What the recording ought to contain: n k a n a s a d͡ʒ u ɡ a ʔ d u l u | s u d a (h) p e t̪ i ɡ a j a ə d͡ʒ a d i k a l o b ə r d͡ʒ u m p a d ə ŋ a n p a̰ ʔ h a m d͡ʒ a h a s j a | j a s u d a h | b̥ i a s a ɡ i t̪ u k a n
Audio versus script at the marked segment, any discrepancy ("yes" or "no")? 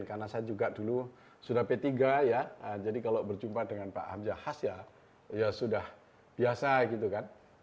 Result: no